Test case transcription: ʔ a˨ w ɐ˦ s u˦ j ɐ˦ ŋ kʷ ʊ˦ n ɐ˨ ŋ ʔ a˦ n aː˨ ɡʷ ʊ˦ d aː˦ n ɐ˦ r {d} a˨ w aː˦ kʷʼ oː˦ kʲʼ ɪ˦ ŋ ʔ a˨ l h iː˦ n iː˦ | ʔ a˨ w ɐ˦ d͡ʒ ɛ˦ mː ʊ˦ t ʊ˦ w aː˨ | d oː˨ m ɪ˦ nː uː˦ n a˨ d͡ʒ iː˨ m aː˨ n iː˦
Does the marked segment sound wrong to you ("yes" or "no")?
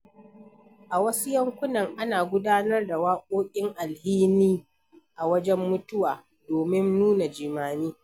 no